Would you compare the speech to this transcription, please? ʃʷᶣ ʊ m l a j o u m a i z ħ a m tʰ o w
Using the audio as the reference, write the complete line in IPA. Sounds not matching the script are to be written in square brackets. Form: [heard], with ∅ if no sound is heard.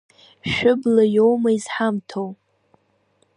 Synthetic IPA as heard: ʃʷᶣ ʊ [b] l a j o [w] m a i z ħ a m tʰ o w